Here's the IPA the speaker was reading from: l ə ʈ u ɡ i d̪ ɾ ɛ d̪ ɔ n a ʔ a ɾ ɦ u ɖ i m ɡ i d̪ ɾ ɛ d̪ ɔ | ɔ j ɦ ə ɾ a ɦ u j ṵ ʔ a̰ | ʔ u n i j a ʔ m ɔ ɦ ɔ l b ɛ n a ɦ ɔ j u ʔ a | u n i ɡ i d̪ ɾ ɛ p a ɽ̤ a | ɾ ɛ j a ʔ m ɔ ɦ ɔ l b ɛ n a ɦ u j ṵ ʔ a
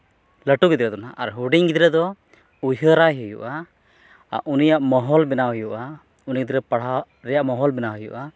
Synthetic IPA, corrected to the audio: l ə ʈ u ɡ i d̪ ɾ ɛ d̪ ɔ n a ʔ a ɾ ɦ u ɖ i ŋ ɡ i d̪ ɾ ɛ d̪ ɔ | u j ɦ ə ɾ a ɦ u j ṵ ʔ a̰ | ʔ u n i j a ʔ m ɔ ɦ ɔ l b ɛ n a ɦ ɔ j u ʔ a | u n i ɡ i d̪ ɾ ɛ p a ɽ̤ a | ɾ ɛ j a ʔ m ɔ ɦ ɔ l b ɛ n a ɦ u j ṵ ʔ a

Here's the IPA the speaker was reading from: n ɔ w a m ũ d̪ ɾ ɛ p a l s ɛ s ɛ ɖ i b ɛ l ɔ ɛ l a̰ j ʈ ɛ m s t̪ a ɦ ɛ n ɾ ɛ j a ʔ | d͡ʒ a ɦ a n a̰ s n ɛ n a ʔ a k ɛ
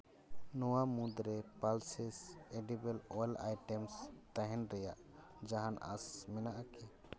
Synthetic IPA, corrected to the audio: n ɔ w a m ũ d̪ ɾ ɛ p a l s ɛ s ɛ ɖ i b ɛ l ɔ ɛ l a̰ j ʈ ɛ m s t̪ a ɦ ɛ n ɾ ɛ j a ʔ | d͡ʒ a ɦ a n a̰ s m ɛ n a ʔ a k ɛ

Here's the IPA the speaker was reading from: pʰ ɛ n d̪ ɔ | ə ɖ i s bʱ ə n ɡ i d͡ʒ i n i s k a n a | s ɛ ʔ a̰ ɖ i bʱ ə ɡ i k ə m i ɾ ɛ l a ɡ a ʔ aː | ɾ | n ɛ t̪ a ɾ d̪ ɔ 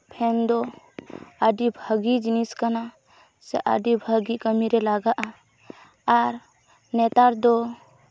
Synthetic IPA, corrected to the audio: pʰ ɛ n d̪ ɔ | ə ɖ i bʱ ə ɡ i d͡ʒ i n i s k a n a | s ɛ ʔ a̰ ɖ i bʱ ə ɡ i k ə m i ɾ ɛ l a ɡ a ʔ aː | ɾ | n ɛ t̪ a ɾ d̪ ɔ

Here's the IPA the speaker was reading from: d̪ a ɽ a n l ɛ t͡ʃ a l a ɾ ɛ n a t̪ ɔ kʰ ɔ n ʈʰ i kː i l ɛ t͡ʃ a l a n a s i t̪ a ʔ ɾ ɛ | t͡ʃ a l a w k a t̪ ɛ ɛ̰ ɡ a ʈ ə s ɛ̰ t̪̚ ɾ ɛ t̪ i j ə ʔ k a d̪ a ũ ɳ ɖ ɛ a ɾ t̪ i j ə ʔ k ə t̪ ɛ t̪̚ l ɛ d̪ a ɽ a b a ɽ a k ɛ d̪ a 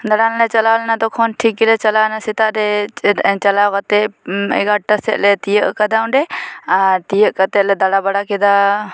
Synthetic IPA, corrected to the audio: d̪ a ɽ a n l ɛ t͡ʃ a l a l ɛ n a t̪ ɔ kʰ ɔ n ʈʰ i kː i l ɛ t͡ʃ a l a n a s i t̪ a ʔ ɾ ɛ | t͡ʃ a l a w k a t̪ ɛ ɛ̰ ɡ a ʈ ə s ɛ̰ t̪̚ l ɛ t̪ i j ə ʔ k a d̪ a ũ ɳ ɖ ɛ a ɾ t̪ i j ə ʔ k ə t̪ ɛ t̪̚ l ɛ d̪ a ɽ a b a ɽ a k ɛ d̪ a

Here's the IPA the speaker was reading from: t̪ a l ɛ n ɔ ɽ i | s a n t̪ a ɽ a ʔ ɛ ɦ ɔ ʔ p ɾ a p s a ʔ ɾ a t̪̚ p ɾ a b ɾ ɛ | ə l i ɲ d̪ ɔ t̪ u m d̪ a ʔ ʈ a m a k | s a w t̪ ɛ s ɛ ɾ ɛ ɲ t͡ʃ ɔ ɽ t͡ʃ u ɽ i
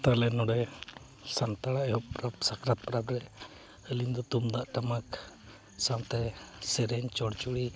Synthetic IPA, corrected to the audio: t̪ a l ɛ n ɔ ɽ ɛ | s a n t̪ a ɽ a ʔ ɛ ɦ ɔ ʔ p ɾ a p s a k ɾ a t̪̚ p ɾ a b ɾ ɛ | ə l i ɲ d̪ ɔ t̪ u m d̪ a ʔ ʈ a m a k | s a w t̪ ɛ s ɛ ɾ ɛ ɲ t͡ʃ ɔ ɽ t͡ʃ u ɽ i

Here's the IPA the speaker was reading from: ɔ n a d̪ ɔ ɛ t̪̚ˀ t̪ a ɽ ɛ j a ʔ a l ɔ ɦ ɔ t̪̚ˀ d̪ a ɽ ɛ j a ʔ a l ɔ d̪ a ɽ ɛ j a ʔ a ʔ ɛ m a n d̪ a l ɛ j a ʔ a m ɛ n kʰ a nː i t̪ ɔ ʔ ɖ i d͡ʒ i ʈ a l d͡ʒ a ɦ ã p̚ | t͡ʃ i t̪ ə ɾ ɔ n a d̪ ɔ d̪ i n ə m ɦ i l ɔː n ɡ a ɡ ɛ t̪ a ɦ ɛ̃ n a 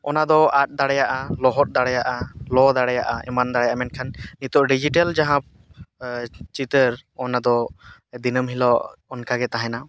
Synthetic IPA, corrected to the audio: ɔ n a d̪ ɔ a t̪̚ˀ d̪ a ɽ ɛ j a ʔ a l ɔ ɦ ɔ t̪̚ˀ d̪ a ɽ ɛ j a ʔ a l ɔ d̪ a ɽ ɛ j a ʔ a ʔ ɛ m a n d̪ a ɽ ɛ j a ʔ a m ɛ n kʰ a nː i t̪ ɔ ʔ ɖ i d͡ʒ i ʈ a l d͡ʒ a ɦ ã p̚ | t͡ʃ i t̪ ə ɾ ɔ n a d̪ ɔ d̪ i n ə m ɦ i l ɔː n k a ɡ ɛ t̪ a ɦ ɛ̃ n a

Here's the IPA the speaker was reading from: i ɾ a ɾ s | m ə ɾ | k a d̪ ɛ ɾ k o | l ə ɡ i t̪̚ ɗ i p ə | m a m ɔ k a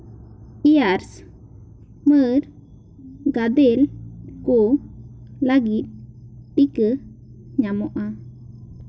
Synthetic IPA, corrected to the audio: i a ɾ s | m ə ɾ | ɡ a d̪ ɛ l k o | l a ɡ i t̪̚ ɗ i k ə | ɲ a m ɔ ʔ a

